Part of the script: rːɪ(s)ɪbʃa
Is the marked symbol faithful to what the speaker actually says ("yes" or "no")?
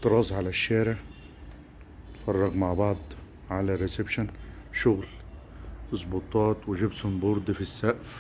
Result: yes